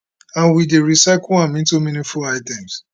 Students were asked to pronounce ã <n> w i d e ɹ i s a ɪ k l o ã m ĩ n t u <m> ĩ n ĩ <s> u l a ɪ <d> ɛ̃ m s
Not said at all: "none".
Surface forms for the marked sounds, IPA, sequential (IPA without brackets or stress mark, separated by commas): n, m, f, t